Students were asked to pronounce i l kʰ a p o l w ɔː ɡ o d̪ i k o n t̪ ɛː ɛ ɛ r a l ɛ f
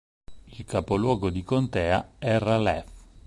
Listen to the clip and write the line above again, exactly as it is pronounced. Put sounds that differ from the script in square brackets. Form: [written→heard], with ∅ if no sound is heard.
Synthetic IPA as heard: i l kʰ a p o l w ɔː ɡ o d̪ i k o n t̪ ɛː [ɛ→a] ɛ r a l ɛ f